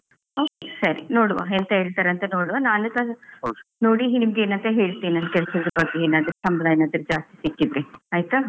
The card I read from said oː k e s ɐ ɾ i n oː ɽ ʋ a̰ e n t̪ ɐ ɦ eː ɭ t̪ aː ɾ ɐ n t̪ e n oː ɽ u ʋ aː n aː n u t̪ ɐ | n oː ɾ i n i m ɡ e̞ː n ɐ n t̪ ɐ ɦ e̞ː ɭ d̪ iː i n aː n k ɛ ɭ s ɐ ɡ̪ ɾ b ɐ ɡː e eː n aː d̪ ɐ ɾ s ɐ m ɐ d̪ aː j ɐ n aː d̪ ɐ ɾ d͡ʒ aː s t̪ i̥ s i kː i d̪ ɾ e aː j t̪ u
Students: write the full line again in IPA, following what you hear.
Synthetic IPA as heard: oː k e s ɐ ɾ i n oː ɽ ʋ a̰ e n t̪ ɐ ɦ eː ɭ t̪ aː ɾ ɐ n t̪ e n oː ɽ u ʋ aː n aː n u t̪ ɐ | n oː ɽ i n i m ɡ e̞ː n ɐ n t̪ ɐ ɦ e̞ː ɭ t̪ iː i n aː n k ɛ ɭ s ɐ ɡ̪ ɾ b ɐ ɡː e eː n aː d̪ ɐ ɾ s ɐ m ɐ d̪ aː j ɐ n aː d̪ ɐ ɾ d͡ʒ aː s t̪ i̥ s i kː i d̪ ɾ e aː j t̪ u

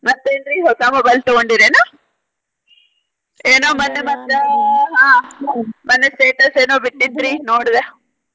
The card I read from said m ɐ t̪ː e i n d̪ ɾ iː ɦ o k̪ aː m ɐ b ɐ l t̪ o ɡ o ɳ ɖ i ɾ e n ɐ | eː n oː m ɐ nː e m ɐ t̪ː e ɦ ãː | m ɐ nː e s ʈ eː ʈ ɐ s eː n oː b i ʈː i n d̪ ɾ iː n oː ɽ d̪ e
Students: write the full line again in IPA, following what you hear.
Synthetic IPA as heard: m ɐ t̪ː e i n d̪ ɾ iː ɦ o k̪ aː m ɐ b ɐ l t̪ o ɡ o ɳ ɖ i ɾ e n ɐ | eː n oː m ɐ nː e m ɐ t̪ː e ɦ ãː | m ɐ nː e s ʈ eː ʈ ɐ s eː n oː b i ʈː i n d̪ ɾ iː n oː ɽ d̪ e

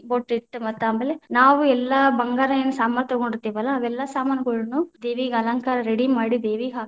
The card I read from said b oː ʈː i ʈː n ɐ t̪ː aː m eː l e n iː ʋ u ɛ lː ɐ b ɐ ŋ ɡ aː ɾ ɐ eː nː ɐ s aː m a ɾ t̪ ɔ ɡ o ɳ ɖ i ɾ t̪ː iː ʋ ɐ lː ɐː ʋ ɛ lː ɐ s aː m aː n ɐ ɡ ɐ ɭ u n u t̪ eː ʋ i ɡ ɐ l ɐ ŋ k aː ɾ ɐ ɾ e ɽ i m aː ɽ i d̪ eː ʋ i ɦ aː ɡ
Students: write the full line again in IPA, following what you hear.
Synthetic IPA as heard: b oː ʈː i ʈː m ɐ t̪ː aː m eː l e n aː ʋ u ɛ lː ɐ b ɐ ŋ ɡ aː ɾ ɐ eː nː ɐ s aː m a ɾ t̪ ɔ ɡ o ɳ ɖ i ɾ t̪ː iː ʋ ɐ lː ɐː ʋ ɛ lː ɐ s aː m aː n ɐ ɡ ɐ ɭ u n u d̪ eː ʋ i ɡ ɐ l ɐ ŋ k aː ɾ ɐ ɾ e ɽ i m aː ɽ i d̪ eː ʋ i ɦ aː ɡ

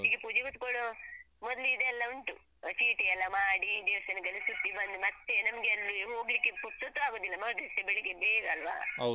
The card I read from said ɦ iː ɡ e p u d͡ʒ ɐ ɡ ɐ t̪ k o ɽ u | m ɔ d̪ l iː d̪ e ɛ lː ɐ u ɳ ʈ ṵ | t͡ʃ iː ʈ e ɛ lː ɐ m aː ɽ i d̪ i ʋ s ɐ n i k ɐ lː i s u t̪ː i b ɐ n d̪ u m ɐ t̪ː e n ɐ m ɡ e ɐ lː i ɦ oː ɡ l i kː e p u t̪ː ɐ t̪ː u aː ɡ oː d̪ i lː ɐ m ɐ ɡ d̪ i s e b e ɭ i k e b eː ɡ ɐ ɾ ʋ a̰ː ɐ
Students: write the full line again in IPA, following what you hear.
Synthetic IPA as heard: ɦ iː ɡ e p u d͡ʒ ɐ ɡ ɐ t̪ k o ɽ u | m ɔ d̪ l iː d̪ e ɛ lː ɐ u ɳ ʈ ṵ | t͡ʃ iː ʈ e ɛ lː ɐ m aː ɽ i d̪ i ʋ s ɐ n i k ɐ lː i s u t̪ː i b ɐ n d̪ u m ɐ t̪ː e n ɐ m ɡ e ɐ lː i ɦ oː ɡ l i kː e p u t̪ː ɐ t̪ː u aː ɡ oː d̪ i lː ɐ m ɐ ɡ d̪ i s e b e ɭ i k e b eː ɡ ɐ l ʋ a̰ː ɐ

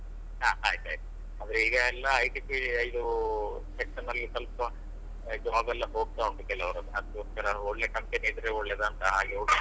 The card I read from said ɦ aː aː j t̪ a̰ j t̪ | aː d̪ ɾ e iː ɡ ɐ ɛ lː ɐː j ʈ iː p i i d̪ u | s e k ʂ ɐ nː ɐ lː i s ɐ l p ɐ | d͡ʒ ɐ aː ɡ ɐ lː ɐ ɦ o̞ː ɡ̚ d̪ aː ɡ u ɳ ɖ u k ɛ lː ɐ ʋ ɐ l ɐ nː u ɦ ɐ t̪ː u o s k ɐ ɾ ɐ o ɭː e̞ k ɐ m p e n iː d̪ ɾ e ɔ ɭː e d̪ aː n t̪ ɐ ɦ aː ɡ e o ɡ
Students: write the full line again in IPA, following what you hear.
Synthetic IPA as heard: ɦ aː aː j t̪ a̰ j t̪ | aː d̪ ɾ e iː ɡ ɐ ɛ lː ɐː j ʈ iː p i i d̪ u | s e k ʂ ɐ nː ɐ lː i s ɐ l p ɐ | d͡ʒ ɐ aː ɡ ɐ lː ɐ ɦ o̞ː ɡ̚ t̪ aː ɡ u ɳ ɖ u k ɛ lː ɐ ʋ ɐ ɾ ɐ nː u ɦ ɐ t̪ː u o s k ɐ ɾ ɐ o ɭː e̞ k ɐ m p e n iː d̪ ɾ e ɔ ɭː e d̪ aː n t̪ ɐ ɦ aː ɡ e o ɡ

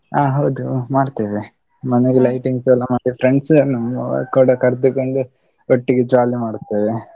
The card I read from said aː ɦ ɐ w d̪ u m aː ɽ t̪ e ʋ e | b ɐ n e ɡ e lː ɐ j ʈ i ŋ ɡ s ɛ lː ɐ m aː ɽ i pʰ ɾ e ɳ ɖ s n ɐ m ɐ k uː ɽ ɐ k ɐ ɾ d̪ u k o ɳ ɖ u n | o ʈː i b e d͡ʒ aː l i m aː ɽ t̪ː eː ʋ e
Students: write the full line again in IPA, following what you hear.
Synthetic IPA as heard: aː ɦ ɐ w d̪ u m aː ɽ t̪ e ʋ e | m ɐ n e ɡ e l ɐ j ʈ i ŋ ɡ s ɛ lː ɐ m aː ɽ i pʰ ɾ e ɳ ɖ s n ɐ m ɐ k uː ɽ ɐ k ɐ ɾ d̪ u k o ɳ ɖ u | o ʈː i ɡ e d͡ʒ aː l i m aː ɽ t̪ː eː ʋ e

